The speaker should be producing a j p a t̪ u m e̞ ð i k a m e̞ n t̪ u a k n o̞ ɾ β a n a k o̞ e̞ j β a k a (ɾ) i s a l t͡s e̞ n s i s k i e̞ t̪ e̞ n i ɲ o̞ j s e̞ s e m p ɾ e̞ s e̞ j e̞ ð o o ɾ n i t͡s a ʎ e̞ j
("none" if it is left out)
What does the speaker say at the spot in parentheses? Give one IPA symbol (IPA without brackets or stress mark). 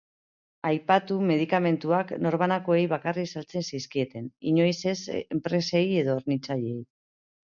r